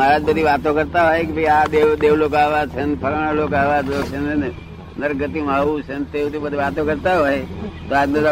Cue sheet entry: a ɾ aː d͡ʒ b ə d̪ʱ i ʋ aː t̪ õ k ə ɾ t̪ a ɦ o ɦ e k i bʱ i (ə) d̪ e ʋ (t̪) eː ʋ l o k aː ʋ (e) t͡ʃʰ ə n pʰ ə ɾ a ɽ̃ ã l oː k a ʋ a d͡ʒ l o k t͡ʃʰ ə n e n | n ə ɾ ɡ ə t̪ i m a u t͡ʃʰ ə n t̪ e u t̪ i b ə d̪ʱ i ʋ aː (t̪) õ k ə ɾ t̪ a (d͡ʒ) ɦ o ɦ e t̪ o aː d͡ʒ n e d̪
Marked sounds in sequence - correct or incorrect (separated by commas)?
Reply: incorrect, incorrect, incorrect, correct, incorrect